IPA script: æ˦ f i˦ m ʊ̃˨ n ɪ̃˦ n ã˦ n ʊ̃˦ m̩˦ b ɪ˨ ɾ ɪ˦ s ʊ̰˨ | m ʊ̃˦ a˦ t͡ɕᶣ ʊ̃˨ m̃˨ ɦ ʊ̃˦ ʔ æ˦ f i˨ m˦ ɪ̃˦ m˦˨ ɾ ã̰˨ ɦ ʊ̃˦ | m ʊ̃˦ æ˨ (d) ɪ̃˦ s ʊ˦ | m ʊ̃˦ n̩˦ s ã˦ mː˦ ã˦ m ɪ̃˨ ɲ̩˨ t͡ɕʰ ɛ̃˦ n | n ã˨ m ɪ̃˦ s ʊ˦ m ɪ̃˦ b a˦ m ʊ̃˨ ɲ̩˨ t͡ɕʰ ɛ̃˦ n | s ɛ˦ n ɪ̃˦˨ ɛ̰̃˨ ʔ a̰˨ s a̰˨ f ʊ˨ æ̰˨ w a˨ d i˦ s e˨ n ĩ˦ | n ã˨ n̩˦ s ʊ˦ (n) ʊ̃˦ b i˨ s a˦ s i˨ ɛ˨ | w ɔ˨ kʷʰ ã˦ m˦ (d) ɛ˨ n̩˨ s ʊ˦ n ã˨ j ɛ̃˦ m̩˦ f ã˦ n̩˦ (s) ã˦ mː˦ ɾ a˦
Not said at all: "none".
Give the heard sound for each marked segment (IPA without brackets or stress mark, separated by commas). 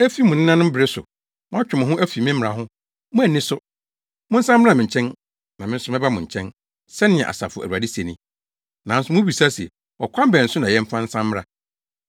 n, m, b, s